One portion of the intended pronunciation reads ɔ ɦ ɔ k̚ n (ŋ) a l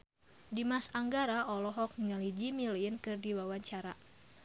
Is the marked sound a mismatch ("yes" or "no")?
no